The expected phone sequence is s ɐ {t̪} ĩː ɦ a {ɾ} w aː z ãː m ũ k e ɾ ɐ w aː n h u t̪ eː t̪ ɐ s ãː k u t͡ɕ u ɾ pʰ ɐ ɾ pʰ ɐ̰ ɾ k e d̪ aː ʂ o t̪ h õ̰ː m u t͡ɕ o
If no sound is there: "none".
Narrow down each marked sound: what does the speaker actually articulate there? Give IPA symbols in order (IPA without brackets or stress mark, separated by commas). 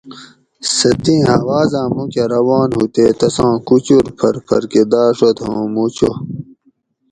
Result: t̪, none